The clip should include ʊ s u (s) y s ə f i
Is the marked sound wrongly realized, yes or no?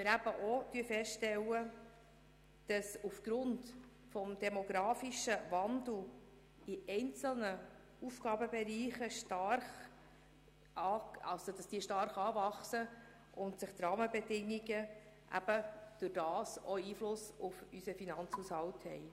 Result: yes